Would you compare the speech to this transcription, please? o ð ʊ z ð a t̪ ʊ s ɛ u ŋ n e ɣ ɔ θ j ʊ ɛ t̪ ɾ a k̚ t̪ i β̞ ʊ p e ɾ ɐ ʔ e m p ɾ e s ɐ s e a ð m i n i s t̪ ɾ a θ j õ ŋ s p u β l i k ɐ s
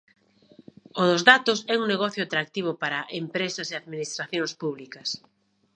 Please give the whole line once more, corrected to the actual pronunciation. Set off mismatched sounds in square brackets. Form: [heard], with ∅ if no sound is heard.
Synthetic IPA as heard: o ð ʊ z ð a t̪ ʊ s ɛ u ŋ n e ɣ ɔ θ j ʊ [a] t̪ ɾ a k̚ t̪ i β̞ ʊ p [a] ɾ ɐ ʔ e m p ɾ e s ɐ s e a ð m i n i s t̪ ɾ a θ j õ ŋ s p u β l i k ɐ s